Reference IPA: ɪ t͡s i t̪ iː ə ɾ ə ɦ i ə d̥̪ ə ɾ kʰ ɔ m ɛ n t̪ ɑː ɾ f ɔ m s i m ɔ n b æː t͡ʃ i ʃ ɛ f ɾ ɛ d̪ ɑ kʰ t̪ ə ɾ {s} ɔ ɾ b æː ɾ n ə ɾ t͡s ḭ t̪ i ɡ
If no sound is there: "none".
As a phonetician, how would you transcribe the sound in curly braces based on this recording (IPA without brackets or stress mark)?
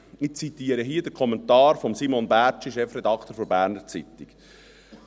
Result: f